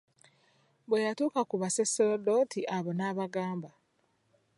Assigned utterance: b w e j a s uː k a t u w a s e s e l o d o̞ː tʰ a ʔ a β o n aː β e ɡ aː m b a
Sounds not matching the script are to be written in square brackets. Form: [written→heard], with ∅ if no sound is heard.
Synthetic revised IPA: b w e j a [s→t] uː k a [t→k] u [w→β] a s e s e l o d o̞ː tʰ [a→i] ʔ a β o n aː β [e→a] ɡ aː m b a